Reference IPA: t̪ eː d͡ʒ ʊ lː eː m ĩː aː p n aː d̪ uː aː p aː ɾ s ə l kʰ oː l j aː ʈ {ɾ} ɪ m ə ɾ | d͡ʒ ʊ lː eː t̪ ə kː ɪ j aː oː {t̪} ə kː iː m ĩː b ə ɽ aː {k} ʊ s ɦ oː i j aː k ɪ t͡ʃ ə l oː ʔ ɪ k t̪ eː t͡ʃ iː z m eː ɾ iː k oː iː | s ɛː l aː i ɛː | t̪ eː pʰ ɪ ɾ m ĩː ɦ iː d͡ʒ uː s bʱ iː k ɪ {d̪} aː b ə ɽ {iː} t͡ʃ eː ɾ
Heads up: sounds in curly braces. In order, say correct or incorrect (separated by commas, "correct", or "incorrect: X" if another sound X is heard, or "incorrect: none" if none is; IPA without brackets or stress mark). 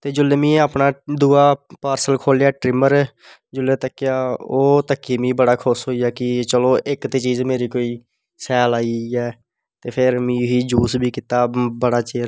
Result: correct, correct, incorrect: kʰ, incorrect: t̪, incorrect: aː